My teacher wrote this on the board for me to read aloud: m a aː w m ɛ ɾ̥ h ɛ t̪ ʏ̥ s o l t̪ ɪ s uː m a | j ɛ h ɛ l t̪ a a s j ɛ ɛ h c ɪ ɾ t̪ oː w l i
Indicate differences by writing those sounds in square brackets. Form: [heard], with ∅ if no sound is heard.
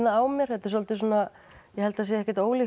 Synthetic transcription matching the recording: [n] a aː w m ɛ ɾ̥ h ɛ t̪ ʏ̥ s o l t̪ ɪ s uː [n] a | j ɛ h ɛ l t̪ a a s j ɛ ɛ h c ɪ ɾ t̪ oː w l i